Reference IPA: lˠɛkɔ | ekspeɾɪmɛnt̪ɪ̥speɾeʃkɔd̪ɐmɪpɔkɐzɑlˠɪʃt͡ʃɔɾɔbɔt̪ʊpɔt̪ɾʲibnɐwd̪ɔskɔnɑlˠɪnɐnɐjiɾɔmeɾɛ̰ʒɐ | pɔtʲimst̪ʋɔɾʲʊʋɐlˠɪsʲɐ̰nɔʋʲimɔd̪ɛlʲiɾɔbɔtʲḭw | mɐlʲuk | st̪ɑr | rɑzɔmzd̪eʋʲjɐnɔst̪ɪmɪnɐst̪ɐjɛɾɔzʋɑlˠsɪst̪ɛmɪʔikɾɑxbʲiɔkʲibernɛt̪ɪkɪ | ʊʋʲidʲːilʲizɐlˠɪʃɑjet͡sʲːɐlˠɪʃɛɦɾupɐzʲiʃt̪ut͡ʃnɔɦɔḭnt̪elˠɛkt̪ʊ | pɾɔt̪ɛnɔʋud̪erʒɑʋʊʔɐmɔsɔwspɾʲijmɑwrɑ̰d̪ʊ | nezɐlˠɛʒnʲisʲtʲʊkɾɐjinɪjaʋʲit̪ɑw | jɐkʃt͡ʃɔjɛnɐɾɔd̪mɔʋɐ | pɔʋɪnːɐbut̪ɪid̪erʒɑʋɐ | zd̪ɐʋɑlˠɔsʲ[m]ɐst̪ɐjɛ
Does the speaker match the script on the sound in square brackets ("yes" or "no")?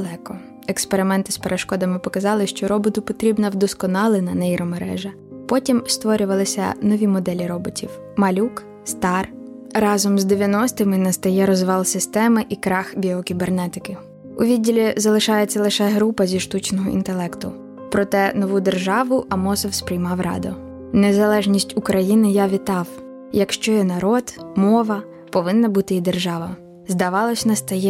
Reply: no